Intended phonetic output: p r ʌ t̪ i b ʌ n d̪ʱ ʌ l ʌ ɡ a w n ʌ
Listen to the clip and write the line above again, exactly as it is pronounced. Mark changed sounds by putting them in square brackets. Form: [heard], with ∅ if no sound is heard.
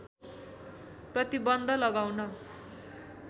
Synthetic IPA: p r ʌ t̪ i b ʌ n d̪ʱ ʌ l ʌ ɡ a w n ʌ